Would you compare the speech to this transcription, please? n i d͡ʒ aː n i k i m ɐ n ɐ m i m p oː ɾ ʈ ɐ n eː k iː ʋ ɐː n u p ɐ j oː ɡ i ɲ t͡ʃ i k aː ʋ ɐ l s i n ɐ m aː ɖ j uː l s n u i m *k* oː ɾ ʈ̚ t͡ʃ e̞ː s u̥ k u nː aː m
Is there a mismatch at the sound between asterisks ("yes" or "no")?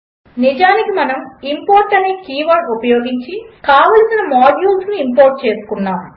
yes